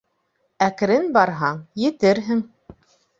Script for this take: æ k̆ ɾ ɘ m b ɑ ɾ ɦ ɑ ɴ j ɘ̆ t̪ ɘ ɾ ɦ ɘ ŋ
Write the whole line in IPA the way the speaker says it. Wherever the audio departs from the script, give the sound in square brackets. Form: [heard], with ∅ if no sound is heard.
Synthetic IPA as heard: æ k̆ ɾ ɘ [n] b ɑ ɾ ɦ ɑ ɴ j ɘ̆ t̪ ɘ ɾ ɦ ɘ ŋ